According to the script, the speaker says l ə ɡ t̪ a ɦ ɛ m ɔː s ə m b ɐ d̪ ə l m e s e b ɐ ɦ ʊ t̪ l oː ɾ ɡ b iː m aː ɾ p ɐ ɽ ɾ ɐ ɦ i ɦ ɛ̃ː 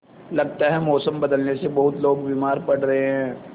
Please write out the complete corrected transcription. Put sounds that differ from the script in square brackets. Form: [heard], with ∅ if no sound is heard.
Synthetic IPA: l [ɐ] ɡ t̪ a ɦ ɛ m ɔː s ə m b ɐ d̪ ə l [n] e s e b ɐ ɦ ʊ t̪ l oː [∅] ɡ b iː m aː ɾ p ɐ ɽ ɾ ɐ ɦ [e] ɦ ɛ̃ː